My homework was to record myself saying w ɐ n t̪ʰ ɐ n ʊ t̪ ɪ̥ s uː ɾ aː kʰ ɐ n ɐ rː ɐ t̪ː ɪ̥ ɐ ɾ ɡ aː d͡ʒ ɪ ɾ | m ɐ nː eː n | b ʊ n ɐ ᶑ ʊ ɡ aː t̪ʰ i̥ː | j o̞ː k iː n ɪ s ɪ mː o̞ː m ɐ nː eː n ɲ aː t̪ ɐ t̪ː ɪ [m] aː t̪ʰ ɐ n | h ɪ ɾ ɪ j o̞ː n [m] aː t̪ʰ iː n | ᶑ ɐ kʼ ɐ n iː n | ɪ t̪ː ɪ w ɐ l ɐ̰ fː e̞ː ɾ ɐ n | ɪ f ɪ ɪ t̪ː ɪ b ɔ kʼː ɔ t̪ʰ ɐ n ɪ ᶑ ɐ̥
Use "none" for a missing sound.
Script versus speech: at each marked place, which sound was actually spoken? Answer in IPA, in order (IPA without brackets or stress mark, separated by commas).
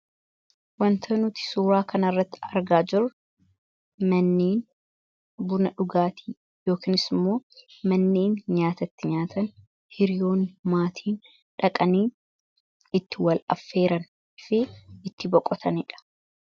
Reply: ɲ, m